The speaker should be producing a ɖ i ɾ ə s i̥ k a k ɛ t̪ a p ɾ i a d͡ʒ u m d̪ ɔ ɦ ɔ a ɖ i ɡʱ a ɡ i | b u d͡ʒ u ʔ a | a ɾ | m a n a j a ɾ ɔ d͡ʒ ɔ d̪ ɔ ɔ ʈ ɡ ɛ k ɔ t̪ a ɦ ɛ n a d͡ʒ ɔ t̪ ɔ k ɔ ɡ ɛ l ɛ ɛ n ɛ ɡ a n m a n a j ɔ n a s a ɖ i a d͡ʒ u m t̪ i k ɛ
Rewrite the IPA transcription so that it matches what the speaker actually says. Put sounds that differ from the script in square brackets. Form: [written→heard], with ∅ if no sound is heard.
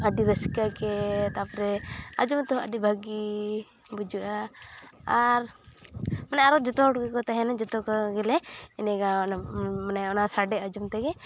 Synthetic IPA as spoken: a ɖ i ɾ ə s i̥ k a k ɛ t̪ a p ɾ [i→ɛ] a d͡ʒ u m [d̪→t̪] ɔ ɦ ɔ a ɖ i [ɡʱ→bʱ] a ɡ i | b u d͡ʒ u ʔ a | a ɾ | m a n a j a ɾ ɔ d͡ʒ ɔ [d̪→t̪] ɔ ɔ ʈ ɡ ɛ k ɔ t̪ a ɦ ɛ n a d͡ʒ ɔ t̪ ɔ k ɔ ɡ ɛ l ɛ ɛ n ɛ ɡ a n m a n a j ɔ n a s a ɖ [i→ɛ] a d͡ʒ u m t̪ [i→ɛ] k ɛ